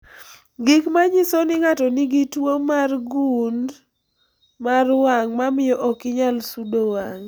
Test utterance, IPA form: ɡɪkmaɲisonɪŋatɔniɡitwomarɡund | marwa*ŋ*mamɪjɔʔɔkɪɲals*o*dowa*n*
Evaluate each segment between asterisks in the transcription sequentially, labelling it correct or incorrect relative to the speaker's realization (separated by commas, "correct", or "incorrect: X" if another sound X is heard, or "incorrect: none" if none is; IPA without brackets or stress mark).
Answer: correct, incorrect: u, incorrect: ŋ